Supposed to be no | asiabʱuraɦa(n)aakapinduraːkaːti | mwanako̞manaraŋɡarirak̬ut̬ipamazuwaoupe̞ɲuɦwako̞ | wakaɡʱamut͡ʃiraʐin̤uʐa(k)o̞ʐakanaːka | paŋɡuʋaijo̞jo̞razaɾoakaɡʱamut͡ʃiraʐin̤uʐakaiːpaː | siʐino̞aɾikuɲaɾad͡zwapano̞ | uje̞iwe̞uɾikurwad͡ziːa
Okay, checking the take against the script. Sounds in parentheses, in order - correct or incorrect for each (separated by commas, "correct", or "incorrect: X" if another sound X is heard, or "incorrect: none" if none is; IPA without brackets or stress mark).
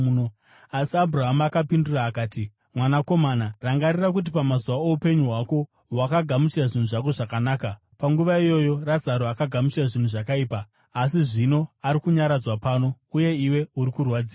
incorrect: m, correct